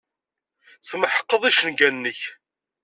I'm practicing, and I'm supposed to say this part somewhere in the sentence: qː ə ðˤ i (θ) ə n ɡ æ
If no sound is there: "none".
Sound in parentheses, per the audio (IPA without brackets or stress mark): ʃ